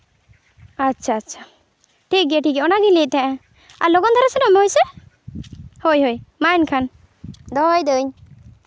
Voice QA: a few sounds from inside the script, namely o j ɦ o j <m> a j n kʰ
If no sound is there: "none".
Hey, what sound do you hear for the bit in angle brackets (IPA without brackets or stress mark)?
m